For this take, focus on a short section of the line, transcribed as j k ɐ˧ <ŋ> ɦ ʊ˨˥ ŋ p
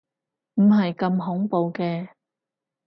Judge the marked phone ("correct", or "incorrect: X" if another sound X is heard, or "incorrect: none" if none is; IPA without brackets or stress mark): incorrect: m